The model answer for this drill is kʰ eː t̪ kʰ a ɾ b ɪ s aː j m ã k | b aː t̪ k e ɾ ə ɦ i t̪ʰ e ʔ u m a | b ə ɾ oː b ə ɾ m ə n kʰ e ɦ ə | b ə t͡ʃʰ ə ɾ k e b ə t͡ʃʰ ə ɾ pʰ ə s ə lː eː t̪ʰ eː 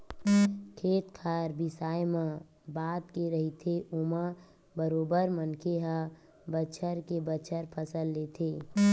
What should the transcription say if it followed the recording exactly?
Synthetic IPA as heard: kʰ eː t̪ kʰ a ɾ b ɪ s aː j m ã | b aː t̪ k e ɾ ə ɦ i t̪ʰ e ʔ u m a | b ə ɾ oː b ə ɾ m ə n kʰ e ɦ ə | b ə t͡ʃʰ ə ɾ k e b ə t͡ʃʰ ə ɾ pʰ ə s ə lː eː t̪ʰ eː